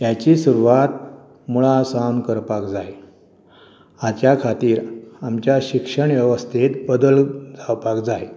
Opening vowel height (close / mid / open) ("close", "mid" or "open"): open